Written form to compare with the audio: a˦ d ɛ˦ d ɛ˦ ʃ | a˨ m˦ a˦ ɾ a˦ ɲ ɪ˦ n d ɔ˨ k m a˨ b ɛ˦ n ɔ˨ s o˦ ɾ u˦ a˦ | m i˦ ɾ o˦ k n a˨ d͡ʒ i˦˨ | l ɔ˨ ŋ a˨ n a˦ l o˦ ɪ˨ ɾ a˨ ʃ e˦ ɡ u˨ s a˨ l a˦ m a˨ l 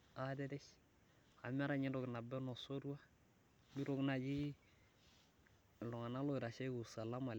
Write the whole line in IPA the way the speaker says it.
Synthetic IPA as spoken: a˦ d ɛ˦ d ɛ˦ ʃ | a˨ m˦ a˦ ɾ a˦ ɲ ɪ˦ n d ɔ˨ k n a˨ b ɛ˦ n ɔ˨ s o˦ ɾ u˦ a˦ | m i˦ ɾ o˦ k n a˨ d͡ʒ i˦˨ | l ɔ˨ ŋ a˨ n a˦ l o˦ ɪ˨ ɾ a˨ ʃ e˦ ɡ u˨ s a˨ l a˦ m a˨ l